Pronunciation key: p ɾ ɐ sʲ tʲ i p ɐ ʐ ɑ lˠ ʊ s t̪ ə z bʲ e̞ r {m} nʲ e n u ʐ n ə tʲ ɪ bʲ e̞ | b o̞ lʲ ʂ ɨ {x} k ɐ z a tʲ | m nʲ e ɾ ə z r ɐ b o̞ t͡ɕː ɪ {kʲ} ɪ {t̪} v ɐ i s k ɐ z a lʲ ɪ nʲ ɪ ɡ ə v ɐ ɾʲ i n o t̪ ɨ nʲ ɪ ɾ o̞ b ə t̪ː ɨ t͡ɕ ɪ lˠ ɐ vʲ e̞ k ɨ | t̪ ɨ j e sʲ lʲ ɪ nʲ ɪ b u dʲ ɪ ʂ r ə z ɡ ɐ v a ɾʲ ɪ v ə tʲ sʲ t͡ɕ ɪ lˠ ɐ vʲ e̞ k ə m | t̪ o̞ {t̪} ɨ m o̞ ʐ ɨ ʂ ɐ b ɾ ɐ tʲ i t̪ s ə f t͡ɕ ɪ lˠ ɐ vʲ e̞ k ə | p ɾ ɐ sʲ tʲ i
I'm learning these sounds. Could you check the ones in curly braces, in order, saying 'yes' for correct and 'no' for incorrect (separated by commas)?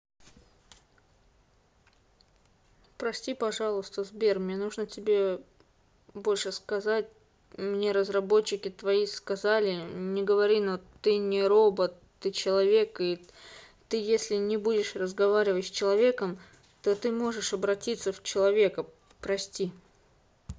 yes, no, yes, yes, yes